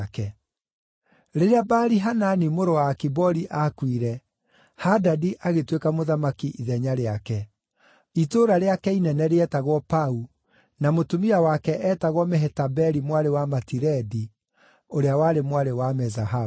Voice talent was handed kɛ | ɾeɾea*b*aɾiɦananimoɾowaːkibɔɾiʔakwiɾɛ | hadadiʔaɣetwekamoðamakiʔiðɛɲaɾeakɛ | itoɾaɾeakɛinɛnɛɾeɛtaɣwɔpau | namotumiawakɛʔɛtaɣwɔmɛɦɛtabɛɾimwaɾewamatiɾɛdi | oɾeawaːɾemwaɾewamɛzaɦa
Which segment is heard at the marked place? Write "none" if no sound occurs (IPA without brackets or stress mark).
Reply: b